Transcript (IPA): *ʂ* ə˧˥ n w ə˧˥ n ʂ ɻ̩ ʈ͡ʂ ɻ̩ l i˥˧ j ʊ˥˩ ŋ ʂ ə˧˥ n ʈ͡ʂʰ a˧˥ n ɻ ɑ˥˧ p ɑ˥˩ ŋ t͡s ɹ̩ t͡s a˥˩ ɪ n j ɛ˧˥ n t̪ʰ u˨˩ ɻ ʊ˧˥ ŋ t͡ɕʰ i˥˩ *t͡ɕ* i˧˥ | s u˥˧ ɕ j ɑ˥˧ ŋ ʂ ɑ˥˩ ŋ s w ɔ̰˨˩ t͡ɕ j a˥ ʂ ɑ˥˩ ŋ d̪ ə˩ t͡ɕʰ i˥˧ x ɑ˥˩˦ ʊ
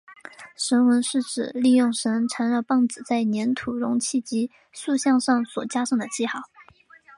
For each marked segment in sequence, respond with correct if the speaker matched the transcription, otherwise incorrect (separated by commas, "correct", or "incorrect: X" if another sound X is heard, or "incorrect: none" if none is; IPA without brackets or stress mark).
correct, correct